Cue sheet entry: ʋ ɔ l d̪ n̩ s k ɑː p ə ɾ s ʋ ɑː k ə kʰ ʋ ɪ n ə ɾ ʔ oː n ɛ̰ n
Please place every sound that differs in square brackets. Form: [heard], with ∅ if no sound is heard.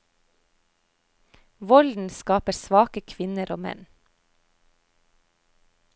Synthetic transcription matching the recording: ʋ ɔ l d̪ n̩ s k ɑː p ə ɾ s ʋ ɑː k ə kʰ ʋ ɪ n ə ɾ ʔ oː [m] ɛ̰ n